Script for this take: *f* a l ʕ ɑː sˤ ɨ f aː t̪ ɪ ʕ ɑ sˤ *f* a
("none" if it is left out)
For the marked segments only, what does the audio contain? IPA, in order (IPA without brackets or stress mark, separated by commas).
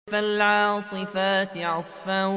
f, f